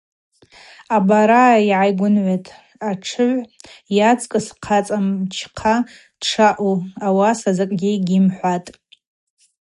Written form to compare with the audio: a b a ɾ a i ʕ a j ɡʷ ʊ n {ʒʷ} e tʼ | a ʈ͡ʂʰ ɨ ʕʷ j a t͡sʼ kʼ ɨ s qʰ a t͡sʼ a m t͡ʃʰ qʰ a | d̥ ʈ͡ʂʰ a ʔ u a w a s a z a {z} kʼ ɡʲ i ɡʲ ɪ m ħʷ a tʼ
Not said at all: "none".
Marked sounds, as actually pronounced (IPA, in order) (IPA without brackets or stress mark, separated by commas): ʕʷ, none